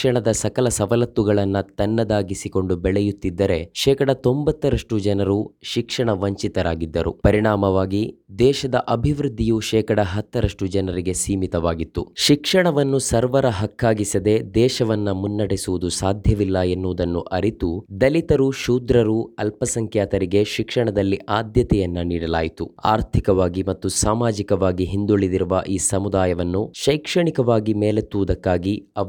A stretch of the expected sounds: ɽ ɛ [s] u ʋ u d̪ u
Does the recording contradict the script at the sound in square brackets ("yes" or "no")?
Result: no